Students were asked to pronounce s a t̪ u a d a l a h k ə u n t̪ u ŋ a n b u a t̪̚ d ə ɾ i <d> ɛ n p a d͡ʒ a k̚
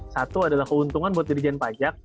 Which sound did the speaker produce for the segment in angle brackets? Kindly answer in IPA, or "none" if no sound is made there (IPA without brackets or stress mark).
d͡ʒ